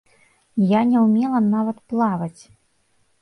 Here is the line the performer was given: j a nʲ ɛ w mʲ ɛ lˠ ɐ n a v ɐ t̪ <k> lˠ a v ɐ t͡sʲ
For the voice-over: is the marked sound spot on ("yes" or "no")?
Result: no